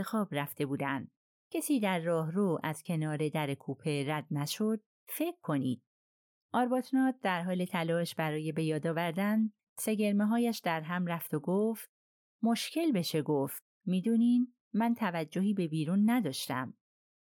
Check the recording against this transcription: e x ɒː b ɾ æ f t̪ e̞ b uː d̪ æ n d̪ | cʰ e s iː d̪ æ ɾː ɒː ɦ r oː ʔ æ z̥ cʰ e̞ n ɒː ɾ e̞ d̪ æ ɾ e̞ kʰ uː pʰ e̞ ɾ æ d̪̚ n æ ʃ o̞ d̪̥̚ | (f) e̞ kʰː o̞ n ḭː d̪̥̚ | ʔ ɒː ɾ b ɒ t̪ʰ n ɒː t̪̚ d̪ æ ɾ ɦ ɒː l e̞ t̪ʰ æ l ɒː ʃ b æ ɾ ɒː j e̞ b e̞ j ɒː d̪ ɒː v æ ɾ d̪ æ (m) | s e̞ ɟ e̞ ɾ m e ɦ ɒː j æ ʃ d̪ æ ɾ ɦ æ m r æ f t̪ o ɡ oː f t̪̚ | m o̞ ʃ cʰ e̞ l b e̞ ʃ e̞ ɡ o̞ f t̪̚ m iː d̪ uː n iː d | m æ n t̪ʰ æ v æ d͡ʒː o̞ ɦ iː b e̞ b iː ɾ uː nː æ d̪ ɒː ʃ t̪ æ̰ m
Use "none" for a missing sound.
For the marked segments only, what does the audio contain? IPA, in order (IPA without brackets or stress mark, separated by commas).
f, n